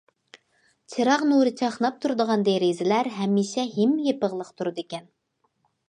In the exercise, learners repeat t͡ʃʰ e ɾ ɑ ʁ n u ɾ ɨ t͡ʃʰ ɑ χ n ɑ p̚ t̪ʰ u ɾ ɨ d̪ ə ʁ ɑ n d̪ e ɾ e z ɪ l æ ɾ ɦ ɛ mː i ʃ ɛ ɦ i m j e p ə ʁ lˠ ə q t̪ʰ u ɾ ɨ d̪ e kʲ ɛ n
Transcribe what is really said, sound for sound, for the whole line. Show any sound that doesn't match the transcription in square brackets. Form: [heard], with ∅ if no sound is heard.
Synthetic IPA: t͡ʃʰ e ɾ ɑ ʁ n u ɾ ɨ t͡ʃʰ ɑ χ n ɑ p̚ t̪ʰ u ɾ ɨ d̪ ə ʁ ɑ n d̪ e ɾ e z ɪ l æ ɾ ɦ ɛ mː i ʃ ɛ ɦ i m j e p ə ʁ lˠ ə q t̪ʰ u ɾ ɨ d̪ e kʲ ɛ n